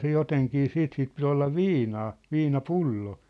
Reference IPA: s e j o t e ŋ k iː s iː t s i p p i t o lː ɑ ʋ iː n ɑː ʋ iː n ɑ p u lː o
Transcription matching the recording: s e j o t e ŋ k iː s iː t s i p p i t o lː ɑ ʋ iː n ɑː ʋ iː n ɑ p u lː o